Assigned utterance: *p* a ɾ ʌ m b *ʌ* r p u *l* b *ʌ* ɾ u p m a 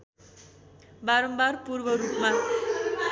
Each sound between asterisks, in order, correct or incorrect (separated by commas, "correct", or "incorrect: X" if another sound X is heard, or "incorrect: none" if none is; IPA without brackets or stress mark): incorrect: b, incorrect: a, incorrect: r, correct